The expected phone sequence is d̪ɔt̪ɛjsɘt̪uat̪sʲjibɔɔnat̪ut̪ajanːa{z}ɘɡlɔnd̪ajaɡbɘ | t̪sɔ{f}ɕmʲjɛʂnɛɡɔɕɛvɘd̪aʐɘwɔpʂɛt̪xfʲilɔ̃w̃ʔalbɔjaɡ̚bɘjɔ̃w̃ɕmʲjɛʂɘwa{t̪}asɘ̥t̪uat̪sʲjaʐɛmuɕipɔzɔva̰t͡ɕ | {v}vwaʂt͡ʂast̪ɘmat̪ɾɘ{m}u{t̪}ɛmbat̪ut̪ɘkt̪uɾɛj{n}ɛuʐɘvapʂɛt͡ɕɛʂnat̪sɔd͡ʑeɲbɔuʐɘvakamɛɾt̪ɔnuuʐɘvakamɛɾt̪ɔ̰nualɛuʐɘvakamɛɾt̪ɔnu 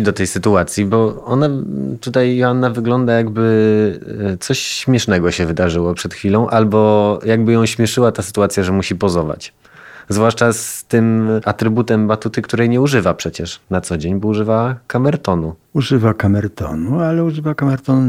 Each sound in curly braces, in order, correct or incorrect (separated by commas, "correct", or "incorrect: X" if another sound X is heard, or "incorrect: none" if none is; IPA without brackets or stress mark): incorrect: v, incorrect: ɕ, correct, incorrect: z, incorrect: b, correct, incorrect: ɲ